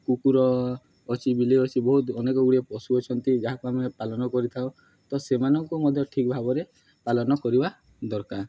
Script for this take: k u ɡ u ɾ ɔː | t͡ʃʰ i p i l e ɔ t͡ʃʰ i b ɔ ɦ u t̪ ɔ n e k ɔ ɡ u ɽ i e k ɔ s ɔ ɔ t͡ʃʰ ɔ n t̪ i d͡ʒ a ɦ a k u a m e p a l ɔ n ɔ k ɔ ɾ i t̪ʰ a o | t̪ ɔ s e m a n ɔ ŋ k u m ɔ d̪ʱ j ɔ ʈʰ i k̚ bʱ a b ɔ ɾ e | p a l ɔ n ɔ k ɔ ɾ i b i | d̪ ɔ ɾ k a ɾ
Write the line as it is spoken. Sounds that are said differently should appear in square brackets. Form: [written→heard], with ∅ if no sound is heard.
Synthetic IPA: k u [ɡ→k] u ɾ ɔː | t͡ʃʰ i [p→b] i l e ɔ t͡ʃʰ i b ɔ ɦ u t̪ ɔ n e k ɔ ɡ u ɽ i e [k→p] ɔ s [ɔ→u] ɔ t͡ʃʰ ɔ n t̪ i d͡ʒ a ɦ a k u a m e p a l ɔ n ɔ k ɔ ɾ i t̪ʰ a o | t̪ ɔ s e m a n ɔ ŋ k u m ɔ d̪ʱ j ɔ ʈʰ i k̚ bʱ a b ɔ ɾ e | p a l ɔ n ɔ k ɔ ɾ i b [i→a] | d̪ ɔ ɾ k a ɾ